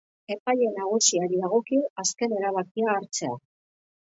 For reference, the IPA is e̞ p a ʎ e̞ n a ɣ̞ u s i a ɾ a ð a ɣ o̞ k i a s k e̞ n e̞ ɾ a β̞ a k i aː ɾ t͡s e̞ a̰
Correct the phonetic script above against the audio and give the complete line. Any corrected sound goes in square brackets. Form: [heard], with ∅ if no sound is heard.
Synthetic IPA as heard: e̞ p a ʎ e̞ n a ɣ̞ u s i a ɾ [i] ð a ɣ o̞ k i a s k e̞ n e̞ ɾ a β̞ a k i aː ɾ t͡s e̞ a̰

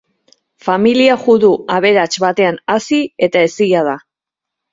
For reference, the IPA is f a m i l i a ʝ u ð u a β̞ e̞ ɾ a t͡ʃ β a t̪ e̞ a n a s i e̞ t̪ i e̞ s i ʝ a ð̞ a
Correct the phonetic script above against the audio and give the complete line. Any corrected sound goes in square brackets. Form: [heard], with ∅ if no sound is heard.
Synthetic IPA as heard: f a m i l i a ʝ u ð u a β̞ e̞ ɾ a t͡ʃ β a t̪ e̞ a n a s i e̞ t̪ [a] e̞ s i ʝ a ð̞ a

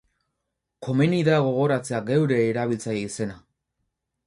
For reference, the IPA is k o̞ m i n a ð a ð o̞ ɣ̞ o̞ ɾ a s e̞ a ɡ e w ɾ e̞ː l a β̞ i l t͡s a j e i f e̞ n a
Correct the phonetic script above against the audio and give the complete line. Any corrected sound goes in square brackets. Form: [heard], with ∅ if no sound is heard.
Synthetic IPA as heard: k o̞ m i n [i] ð a [ɣ] o̞ ɣ̞ o̞ ɾ a [t͡s] e̞ a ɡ e w ɾ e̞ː [ɾ] a β̞ i l t͡s a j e i [s] e̞ n a

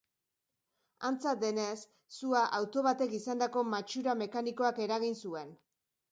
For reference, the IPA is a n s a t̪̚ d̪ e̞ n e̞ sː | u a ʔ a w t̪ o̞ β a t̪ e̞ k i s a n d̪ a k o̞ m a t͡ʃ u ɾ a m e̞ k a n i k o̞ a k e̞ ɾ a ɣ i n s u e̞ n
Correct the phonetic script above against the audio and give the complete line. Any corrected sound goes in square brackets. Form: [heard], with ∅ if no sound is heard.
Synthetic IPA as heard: a n [t͡s] a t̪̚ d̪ e̞ n e̞ sː | u a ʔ a w t̪ o̞ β a t̪ e̞ k i s a n d̪ a k o̞ m a t͡ʃ u ɾ a m e̞ k a n i k o̞ a k e̞ ɾ a ɣ i n s u e̞ n

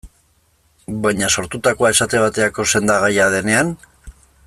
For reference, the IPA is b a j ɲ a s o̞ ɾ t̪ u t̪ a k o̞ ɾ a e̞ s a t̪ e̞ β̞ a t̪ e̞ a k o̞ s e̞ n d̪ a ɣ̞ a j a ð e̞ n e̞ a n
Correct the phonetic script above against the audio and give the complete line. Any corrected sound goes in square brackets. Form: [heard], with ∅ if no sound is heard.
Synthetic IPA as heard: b a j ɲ a s o̞ ɾ t̪ u t̪ a k o̞ [∅] a e̞ s a t̪ e̞ β̞ a t̪ e̞ a k o̞ s e̞ n d̪ a ɣ̞ a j a ð e̞ n e̞ a n

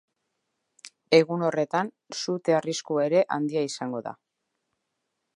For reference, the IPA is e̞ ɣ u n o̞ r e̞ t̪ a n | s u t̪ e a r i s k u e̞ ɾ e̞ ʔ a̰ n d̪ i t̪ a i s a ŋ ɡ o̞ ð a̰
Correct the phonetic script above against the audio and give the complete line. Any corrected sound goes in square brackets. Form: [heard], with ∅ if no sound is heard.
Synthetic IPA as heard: e̞ ɣ u n o̞ r e̞ t̪ a n | s u t̪ e a r i s k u e̞ ɾ e̞ ʔ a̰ n d̪ i [∅] a i s a ŋ ɡ o̞ ð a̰

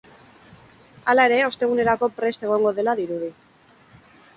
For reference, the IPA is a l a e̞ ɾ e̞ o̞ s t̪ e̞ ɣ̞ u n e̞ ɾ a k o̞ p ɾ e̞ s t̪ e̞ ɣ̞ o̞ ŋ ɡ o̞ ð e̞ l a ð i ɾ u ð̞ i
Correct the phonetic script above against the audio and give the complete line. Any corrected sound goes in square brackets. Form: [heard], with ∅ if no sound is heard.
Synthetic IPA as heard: a l a e̞ ɾ e̞ o̞ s t̪ e̞ ɣ̞ u n e̞ ɾ a k o̞ p ɾ e̞ s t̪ e̞ ɣ̞ o̞ ŋ ɡ o̞ ð e̞ l a ð i ɾ u ð̞ i

